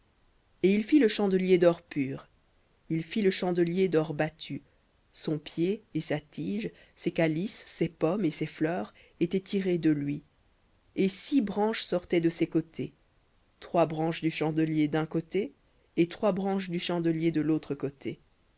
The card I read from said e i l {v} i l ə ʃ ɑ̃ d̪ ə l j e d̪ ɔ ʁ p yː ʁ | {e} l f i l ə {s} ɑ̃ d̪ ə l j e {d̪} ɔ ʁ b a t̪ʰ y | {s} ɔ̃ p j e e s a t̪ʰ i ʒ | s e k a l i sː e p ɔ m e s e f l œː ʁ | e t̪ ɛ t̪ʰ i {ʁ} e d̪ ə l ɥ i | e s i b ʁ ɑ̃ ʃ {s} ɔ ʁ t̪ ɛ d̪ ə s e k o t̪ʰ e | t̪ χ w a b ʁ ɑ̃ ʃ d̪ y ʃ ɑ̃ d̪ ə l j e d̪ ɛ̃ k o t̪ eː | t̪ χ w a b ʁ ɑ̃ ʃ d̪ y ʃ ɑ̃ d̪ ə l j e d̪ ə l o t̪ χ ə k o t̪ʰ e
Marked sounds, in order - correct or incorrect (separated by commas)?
incorrect, incorrect, incorrect, correct, correct, correct, correct